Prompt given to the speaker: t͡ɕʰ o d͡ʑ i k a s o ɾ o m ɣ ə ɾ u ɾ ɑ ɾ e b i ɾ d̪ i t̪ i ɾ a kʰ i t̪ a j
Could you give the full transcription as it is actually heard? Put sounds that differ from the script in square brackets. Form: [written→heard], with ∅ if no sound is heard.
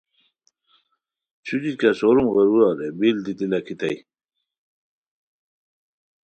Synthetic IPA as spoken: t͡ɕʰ [o→u] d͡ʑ i k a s o ɾ [o→u] m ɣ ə ɾ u ɾ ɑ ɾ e b i [ɾ→l] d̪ i t̪ i [ɾ→l] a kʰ i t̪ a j